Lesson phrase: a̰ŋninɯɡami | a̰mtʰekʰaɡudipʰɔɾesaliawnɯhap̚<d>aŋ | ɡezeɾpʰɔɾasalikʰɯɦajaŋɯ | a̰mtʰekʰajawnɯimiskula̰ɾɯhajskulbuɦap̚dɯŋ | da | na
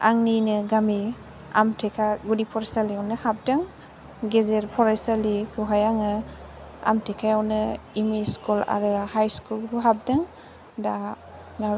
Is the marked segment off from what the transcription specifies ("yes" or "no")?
no